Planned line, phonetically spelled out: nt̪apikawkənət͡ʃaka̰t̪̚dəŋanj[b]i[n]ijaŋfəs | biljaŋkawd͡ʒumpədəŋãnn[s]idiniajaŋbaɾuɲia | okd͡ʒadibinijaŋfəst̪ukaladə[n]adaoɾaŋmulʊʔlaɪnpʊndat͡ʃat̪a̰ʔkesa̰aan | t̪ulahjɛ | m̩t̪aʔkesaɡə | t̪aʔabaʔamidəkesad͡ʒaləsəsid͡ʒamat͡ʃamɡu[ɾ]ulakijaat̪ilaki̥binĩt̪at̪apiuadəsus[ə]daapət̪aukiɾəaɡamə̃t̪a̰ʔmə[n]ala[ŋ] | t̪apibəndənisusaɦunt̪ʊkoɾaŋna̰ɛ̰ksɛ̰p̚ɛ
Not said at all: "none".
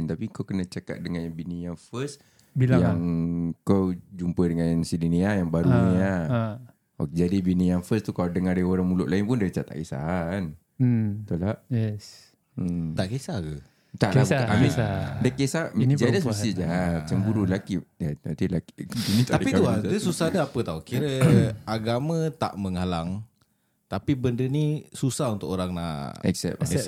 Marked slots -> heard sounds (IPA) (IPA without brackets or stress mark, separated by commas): b, n, s, ŋ, ɾ, a, ŋ, ŋ